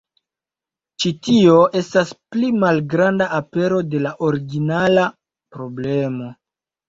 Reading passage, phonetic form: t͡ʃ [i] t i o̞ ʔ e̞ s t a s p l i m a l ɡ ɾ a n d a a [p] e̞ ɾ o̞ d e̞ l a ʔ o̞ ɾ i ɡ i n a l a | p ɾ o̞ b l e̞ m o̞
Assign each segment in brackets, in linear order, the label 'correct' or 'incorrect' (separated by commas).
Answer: correct, correct